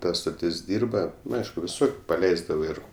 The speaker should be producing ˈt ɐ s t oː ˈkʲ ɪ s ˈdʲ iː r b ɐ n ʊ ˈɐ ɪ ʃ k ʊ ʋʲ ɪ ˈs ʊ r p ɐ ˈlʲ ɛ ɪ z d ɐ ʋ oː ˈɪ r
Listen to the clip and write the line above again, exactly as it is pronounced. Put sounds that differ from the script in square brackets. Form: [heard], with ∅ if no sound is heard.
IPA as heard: ˈt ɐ s t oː [ˈtʲ] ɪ s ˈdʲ iː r b ɐ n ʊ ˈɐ ɪ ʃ k ʊ ʋʲ ɪ ˈs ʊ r p ɐ ˈlʲ ɛ ɪ z d ɐ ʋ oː ˈɪ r